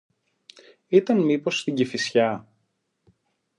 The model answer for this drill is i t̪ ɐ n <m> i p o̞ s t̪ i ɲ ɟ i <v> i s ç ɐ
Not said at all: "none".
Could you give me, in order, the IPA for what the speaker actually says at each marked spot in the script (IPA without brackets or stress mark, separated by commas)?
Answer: m, f